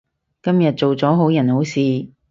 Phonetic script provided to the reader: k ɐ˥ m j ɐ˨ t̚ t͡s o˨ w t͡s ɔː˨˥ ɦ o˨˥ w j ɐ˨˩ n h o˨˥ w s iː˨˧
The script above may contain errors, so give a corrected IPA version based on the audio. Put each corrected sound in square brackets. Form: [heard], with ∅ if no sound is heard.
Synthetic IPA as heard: k ɐ˥ m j ɐ˨ t̚ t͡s o˨ w t͡s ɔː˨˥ ɦ o˨˥ w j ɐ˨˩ n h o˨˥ w s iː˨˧